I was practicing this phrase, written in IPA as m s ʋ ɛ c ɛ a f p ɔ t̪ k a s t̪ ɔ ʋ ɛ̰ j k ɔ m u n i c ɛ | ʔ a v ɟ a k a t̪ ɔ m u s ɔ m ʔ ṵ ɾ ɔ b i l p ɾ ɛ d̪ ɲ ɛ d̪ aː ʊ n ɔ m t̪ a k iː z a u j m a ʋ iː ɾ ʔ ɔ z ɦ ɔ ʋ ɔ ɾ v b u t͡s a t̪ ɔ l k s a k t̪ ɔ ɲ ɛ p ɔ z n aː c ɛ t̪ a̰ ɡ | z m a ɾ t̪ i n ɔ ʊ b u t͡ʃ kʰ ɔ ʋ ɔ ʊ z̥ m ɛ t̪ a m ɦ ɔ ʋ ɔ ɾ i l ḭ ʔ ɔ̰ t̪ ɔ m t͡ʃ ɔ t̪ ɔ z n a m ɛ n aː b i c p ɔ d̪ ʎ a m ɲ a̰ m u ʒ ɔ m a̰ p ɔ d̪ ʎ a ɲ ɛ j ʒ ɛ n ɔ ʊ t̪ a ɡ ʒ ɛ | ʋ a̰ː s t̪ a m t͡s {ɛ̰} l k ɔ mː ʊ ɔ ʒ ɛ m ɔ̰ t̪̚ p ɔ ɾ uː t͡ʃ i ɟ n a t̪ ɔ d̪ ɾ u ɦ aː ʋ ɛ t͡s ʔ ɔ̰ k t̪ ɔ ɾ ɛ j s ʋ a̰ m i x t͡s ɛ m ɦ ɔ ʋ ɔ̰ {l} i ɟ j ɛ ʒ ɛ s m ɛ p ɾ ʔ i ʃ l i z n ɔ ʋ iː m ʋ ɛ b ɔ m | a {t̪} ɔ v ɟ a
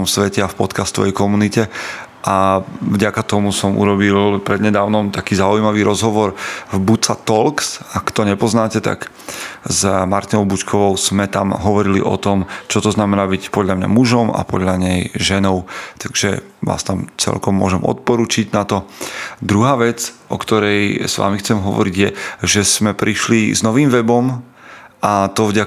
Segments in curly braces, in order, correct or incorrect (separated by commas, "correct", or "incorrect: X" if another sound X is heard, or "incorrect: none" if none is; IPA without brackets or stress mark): correct, incorrect: ɾ, correct